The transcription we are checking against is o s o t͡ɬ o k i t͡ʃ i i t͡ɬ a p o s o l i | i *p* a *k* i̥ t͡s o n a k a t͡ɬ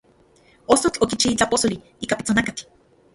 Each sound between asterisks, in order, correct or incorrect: incorrect: k, incorrect: p

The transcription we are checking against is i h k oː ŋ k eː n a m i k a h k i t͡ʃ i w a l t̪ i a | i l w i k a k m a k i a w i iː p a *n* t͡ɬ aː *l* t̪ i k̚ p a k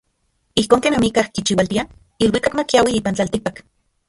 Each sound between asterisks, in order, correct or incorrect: correct, correct

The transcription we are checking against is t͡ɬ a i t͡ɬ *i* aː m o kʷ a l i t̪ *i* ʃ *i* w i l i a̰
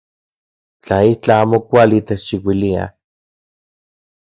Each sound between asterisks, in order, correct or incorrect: incorrect: a, incorrect: e, correct

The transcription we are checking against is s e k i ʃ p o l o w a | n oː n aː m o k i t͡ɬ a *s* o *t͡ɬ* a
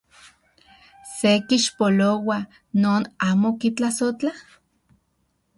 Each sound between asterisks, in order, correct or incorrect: correct, correct

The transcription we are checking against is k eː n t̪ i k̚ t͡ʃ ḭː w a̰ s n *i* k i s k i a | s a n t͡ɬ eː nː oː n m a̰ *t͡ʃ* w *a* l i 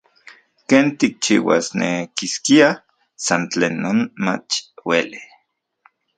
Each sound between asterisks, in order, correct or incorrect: incorrect: e, correct, incorrect: e

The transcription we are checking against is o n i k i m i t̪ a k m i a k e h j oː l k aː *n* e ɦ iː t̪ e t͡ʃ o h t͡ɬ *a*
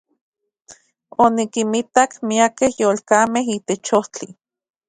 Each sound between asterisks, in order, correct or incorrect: incorrect: m, incorrect: i

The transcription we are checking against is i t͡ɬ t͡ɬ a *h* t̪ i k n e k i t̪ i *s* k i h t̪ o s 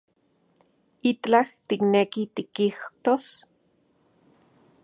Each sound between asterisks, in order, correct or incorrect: correct, incorrect: none

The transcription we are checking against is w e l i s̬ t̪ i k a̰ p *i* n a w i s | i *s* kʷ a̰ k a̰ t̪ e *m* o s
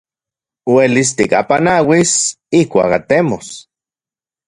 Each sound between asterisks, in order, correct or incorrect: incorrect: a, incorrect: h, correct

